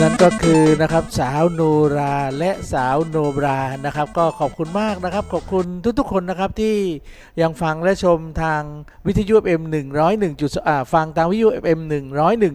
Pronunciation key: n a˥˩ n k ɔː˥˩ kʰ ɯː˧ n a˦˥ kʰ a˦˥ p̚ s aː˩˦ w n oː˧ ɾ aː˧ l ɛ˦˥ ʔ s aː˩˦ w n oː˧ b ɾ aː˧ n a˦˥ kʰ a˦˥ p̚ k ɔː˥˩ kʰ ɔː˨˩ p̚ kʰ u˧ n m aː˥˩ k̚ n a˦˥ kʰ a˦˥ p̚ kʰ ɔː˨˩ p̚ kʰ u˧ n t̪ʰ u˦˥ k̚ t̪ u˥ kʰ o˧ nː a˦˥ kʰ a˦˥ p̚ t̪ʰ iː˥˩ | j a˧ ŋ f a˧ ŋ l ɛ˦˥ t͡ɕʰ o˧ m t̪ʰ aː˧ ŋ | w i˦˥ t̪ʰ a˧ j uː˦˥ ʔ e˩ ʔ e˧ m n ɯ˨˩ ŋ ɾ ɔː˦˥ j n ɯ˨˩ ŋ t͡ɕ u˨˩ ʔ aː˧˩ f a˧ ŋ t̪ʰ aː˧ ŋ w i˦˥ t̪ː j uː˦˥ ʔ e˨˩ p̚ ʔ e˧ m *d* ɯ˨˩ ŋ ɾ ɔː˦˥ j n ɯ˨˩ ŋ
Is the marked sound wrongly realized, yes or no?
yes